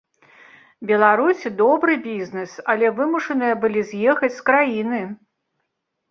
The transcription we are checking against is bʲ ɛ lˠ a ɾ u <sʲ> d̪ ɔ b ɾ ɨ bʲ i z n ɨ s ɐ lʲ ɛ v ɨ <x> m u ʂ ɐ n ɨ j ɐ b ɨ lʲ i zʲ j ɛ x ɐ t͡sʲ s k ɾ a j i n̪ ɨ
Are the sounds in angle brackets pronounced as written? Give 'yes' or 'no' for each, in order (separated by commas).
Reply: yes, no